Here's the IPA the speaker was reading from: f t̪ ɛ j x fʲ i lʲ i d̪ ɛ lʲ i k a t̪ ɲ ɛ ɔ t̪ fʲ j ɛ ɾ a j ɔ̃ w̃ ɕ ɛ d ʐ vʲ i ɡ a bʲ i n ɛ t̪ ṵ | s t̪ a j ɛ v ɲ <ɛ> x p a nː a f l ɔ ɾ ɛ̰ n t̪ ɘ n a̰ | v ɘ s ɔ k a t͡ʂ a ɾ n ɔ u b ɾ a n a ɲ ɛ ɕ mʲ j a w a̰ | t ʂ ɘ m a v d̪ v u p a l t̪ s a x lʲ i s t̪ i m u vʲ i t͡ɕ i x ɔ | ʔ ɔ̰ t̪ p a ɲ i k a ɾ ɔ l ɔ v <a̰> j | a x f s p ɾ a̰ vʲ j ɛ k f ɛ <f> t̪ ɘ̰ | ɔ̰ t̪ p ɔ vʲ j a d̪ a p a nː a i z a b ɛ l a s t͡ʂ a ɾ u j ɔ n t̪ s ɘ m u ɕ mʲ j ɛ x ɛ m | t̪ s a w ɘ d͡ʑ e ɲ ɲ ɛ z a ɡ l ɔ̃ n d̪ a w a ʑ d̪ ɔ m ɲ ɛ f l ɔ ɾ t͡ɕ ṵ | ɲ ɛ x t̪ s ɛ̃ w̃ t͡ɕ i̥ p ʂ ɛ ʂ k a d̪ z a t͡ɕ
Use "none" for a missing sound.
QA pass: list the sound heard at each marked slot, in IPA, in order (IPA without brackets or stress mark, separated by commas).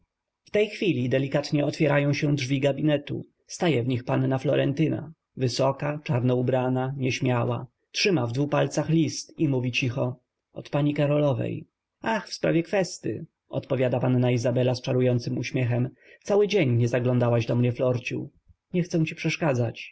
i, ɛ̰, s